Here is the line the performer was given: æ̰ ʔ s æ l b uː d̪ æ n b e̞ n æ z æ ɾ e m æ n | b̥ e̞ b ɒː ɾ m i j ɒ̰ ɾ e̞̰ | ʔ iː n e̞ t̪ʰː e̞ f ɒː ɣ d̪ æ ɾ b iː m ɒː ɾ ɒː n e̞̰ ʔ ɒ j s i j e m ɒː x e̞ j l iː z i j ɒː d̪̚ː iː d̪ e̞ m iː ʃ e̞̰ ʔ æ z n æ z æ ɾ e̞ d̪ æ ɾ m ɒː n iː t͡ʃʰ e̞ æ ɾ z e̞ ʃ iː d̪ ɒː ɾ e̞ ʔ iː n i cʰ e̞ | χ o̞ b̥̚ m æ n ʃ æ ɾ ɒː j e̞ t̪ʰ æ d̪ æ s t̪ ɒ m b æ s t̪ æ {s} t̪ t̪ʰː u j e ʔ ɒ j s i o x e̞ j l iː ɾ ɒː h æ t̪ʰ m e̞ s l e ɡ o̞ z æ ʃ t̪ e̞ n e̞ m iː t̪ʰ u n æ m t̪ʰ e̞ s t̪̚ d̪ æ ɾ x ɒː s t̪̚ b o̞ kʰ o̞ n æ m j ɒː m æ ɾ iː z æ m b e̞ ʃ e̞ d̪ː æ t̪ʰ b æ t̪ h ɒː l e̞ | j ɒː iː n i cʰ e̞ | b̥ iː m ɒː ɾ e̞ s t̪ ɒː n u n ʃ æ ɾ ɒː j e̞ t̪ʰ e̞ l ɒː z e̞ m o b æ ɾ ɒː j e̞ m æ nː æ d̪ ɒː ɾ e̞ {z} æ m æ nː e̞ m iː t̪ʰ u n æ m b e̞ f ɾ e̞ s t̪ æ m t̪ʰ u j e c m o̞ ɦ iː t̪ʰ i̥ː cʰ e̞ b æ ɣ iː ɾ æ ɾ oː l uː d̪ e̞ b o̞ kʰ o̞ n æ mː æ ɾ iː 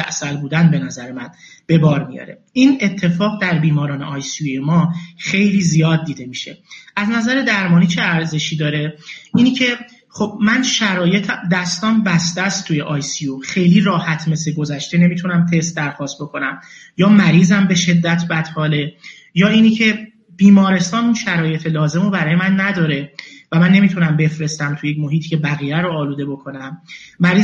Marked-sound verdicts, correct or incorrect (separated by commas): correct, incorrect